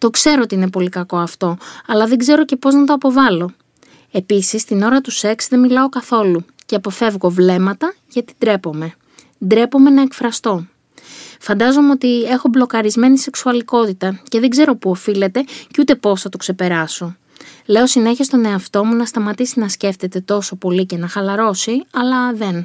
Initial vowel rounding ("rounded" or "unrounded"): rounded